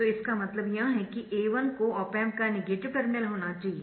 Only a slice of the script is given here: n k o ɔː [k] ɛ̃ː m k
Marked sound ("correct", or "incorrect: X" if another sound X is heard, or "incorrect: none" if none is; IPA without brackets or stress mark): incorrect: p